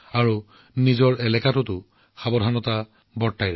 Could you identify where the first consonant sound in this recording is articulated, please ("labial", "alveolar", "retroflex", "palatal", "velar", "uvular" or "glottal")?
alveolar